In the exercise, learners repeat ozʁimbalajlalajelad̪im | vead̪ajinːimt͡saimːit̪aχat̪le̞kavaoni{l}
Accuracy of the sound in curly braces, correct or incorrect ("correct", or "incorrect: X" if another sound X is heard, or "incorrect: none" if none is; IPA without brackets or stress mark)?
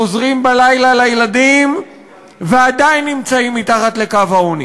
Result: incorrect: none